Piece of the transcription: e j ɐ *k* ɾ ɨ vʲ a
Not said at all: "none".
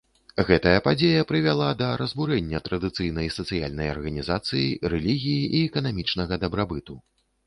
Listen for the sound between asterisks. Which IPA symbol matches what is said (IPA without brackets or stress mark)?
p